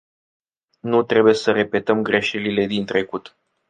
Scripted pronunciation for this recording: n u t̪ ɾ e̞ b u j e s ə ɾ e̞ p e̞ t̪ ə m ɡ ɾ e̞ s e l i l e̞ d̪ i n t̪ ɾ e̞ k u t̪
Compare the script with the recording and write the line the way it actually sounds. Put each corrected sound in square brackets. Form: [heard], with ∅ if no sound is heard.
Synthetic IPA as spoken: n u t̪ ɾ e̞ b u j e s ə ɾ e̞ p e̞ t̪ ə m ɡ ɾ e̞ [ʃ] e l i l e̞ d̪ i n t̪ ɾ e̞ k u t̪